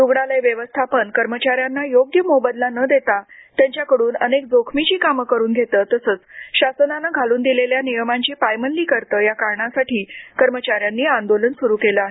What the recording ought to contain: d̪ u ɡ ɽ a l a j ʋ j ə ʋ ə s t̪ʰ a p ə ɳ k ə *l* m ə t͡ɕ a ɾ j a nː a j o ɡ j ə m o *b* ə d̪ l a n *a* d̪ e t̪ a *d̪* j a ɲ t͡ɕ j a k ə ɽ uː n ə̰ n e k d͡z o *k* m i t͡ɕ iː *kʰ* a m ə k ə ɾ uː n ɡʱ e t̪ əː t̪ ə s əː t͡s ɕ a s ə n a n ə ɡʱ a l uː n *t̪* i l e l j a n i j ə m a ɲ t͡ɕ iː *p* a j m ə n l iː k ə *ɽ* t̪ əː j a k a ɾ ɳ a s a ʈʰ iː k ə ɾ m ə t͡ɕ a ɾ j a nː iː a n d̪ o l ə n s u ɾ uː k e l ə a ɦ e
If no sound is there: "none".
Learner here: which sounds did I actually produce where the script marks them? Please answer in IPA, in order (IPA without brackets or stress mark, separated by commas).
ɾ, b, ə, t̪, kʰ, k, d̪, p, ɾ